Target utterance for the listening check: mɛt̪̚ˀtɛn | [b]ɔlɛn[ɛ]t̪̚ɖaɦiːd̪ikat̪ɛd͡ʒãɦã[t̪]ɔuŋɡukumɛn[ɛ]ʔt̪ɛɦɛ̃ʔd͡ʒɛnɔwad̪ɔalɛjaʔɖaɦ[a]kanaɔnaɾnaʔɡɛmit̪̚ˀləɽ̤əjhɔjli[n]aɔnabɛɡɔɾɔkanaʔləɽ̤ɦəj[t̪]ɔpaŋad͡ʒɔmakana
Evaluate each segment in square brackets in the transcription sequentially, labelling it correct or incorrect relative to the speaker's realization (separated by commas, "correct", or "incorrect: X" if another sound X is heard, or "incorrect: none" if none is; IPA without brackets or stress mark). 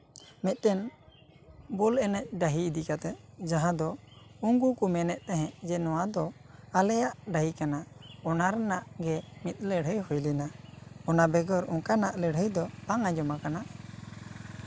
correct, correct, incorrect: d̪, correct, incorrect: i, correct, incorrect: d̪